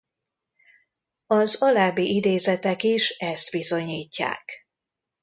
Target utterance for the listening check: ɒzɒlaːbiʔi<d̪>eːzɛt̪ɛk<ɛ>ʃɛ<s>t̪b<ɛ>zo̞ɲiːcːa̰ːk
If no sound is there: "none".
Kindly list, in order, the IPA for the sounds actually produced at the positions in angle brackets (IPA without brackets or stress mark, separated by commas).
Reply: d̪, i, s, i